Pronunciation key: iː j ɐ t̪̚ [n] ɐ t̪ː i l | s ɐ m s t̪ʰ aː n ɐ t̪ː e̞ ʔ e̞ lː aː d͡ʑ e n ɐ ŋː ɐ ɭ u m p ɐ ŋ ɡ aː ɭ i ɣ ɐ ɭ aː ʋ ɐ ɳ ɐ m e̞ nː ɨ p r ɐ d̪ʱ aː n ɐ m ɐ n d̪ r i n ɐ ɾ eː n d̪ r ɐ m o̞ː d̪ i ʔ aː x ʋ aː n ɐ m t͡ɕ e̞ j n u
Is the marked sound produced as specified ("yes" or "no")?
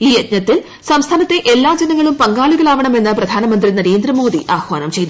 no